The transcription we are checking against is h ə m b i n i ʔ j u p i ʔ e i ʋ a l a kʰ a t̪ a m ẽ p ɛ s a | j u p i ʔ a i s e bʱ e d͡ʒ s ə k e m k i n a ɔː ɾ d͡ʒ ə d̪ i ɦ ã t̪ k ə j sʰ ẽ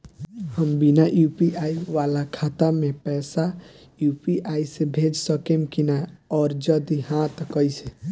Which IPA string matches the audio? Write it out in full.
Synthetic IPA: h ə m b i n a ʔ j u p i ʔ a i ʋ a l a kʰ a t̪ a m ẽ p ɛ s a | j u p i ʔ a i s e bʱ e d͡ʒ s ə k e m k i n a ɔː ɾ d͡ʒ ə d̪ i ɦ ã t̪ k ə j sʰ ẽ